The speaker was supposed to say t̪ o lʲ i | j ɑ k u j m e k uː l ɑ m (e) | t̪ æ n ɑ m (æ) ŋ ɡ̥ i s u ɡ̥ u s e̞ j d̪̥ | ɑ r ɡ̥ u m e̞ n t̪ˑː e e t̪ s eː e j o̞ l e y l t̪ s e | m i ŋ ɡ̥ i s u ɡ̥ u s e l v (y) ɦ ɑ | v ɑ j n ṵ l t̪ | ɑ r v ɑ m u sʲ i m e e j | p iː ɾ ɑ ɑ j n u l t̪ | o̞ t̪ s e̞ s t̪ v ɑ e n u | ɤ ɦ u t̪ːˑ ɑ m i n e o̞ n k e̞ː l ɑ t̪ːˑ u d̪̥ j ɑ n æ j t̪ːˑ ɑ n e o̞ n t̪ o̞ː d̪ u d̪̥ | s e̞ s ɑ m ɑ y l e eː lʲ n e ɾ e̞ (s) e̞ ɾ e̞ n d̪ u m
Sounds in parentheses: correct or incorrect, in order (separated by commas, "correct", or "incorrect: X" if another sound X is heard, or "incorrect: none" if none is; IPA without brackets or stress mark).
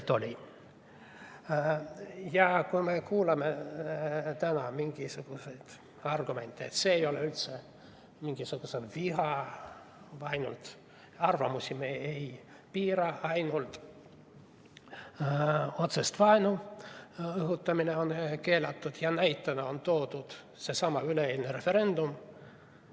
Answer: correct, incorrect: i, incorrect: i, incorrect: f